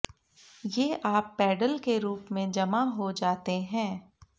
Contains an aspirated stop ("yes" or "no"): no